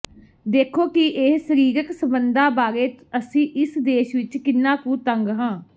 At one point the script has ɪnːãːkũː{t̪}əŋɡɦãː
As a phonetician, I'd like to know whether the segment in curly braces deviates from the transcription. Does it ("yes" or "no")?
no